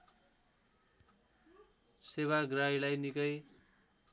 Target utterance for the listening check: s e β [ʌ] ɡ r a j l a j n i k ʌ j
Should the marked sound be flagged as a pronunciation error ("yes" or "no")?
yes